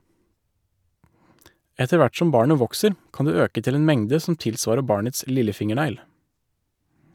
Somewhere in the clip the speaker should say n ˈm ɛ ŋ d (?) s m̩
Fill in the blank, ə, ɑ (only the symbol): ə